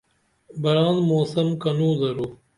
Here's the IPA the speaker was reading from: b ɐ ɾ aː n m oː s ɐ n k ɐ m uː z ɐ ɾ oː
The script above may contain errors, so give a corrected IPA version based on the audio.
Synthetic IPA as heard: b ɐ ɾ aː n m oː s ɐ m k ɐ n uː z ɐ ɾ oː